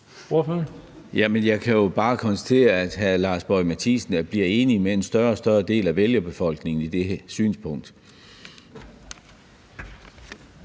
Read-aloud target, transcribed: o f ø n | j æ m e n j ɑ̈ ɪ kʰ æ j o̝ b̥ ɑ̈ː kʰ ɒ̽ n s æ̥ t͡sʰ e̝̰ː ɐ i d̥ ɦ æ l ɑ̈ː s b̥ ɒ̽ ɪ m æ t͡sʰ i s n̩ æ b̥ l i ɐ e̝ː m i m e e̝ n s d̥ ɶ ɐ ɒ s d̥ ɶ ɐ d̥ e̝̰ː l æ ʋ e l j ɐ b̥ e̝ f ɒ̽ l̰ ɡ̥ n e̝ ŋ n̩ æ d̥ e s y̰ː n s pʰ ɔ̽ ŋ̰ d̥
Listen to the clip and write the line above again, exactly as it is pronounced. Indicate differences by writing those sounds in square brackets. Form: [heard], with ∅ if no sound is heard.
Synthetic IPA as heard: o f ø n | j æ m e n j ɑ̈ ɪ kʰ æ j o̝ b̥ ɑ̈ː kʰ ɒ̽ n s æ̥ t͡sʰ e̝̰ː ɐ [æ] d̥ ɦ æ l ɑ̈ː s b̥ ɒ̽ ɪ m æ t͡sʰ i s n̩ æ b̥ l i ɐ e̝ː [n] i m e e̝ n s d̥ ɶ ɐ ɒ s d̥ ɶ ɐ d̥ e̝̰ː l æ ʋ e l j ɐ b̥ e̝ f ɒ̽ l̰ ɡ̥ n e̝ ŋ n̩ [i] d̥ e s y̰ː n s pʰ ɔ̽ ŋ̰ d̥

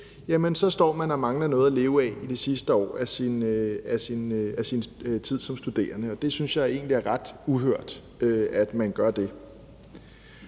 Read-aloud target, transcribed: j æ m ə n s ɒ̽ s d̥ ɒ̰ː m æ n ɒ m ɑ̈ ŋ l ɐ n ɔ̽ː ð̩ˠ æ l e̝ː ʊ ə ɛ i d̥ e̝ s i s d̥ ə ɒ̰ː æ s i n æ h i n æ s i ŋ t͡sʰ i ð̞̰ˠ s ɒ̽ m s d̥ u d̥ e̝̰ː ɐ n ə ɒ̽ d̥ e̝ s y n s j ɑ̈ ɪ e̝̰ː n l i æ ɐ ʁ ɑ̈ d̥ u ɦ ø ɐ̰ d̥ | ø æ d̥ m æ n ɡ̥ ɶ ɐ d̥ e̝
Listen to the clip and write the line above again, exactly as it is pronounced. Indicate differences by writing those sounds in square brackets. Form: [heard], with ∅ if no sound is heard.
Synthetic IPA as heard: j æ m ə n s ɒ̽ s d̥ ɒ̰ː m æ n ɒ m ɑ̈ ŋ l ɐ n ɔ̽ː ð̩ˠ æ l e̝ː ʊ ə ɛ i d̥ e̝ s i s d̥ ə ɒ̰ː æ s i n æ [s] i n æ s i [n] t͡sʰ i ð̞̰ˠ s ɒ̽ m s d̥ u d̥ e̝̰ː ɐ n ə ɒ̽ d̥ e̝ s y n s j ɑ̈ ɪ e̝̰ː n l i æ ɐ ʁ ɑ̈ d̥ u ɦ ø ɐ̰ d̥ | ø æ d̥ m æ n ɡ̥ ɶ ɐ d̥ e̝

